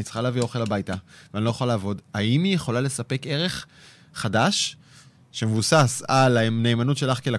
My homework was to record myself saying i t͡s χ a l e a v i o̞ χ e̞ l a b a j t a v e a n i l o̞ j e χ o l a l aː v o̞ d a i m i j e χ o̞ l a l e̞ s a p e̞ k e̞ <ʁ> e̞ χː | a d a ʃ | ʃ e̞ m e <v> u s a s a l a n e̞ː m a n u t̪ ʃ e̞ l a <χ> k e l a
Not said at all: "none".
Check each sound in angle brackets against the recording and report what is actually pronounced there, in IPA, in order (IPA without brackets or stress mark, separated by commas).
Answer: ʁ, v, χ